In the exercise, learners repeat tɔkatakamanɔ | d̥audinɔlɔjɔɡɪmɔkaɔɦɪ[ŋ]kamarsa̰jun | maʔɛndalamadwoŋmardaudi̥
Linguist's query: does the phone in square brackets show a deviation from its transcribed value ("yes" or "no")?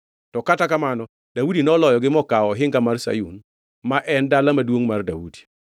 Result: no